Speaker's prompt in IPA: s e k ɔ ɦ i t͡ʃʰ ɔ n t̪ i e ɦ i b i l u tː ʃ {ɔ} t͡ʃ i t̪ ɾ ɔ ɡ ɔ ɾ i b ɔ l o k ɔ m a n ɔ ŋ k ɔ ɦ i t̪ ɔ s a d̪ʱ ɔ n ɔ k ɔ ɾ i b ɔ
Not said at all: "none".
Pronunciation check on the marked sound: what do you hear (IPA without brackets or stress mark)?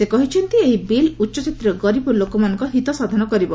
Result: ɔ